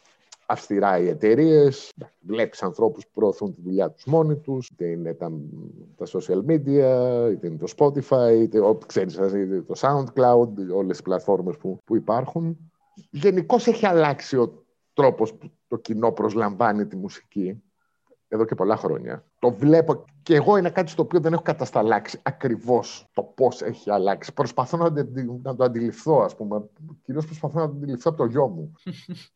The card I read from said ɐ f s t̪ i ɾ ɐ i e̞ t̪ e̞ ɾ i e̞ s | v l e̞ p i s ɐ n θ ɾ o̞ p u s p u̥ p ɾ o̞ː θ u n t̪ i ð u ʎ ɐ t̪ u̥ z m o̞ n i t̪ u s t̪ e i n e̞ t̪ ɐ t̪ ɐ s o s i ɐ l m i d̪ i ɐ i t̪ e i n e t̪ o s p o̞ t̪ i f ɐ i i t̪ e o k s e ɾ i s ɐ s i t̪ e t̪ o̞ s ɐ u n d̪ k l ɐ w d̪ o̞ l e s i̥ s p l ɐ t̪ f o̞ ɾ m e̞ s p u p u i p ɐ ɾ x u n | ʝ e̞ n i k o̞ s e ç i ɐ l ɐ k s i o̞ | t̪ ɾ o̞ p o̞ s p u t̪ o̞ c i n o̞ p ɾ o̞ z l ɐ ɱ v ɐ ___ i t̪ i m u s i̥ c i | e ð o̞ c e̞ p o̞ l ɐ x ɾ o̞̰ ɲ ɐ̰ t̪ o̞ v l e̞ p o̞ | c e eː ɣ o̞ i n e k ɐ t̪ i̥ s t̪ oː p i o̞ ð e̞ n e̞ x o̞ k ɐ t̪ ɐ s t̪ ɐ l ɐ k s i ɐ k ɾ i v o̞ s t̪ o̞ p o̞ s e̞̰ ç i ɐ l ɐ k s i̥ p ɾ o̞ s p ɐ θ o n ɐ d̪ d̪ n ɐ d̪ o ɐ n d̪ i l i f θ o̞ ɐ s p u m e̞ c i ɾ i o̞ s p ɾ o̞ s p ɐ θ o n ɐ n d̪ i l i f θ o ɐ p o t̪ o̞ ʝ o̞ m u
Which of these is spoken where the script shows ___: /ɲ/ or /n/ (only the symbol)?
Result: n